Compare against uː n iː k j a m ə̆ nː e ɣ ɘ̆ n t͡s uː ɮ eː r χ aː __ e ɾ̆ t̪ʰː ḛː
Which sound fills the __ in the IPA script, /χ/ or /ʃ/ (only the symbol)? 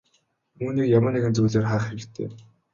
χ